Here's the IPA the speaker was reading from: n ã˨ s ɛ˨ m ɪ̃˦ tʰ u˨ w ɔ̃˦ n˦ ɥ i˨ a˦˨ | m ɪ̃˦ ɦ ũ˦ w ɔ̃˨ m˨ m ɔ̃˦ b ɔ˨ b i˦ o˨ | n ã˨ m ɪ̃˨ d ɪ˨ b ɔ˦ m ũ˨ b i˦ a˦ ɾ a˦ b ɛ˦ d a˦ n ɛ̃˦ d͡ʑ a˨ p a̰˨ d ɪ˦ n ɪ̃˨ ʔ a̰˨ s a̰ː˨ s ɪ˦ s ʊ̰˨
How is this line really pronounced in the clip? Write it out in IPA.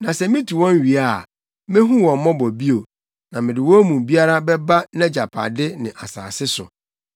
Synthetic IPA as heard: n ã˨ s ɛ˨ m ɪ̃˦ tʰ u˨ w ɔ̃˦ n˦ ɥ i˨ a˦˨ | m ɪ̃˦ ɦ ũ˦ w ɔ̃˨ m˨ m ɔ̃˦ b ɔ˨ b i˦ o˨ | n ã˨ m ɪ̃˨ d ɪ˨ w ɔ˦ m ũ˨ b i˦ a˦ ɾ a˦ b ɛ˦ b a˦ n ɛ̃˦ d͡ʑ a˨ pʰ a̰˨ d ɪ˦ n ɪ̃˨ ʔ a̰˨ s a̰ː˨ s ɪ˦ s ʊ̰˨